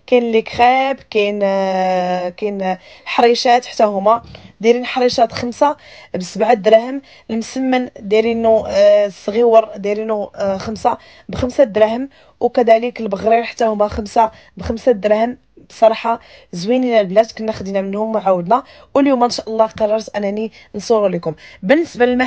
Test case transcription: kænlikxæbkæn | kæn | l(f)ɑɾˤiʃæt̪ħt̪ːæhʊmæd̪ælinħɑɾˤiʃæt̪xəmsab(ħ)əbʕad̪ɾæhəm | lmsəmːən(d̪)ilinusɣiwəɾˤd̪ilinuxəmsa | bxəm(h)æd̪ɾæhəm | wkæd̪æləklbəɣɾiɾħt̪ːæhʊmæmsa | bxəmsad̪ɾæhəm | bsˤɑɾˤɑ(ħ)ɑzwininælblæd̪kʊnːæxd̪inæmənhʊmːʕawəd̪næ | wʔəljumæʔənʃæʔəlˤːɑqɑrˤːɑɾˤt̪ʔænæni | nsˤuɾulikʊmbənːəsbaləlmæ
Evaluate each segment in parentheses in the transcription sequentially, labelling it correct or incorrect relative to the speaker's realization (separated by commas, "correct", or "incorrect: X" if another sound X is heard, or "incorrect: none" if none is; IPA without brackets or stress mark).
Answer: incorrect: ħ, incorrect: s, correct, incorrect: s, correct